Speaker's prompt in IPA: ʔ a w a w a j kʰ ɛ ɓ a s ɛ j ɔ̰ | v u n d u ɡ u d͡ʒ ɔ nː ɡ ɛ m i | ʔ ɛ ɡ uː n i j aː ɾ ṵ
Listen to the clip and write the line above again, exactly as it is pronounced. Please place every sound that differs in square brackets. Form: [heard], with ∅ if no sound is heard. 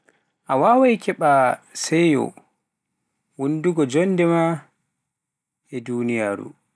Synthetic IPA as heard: ʔ a w a w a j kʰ ɛ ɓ a s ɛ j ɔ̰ | [w] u n d u ɡ [ɔ] d͡ʒ ɔ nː [d] ɛ m [a] | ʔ ɛ [d] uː n i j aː ɾ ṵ